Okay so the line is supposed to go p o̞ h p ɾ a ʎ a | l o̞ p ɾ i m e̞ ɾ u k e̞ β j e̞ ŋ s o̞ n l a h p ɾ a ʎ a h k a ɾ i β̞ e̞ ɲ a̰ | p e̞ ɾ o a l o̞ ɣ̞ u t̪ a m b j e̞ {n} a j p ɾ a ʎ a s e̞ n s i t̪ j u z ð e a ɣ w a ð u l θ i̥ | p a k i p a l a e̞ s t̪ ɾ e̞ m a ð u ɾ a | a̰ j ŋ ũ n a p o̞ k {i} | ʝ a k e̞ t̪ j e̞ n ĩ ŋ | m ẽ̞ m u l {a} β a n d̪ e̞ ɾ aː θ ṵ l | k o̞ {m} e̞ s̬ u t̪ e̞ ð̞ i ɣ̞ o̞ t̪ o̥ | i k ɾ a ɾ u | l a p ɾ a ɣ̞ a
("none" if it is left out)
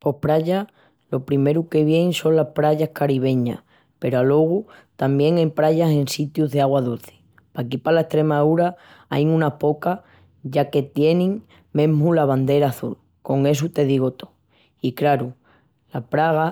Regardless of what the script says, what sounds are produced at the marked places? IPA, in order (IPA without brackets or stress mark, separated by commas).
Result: ŋ, a, a, ŋ